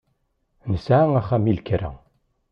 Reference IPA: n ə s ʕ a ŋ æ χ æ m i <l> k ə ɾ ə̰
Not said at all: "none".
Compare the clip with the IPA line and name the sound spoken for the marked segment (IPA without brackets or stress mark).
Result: l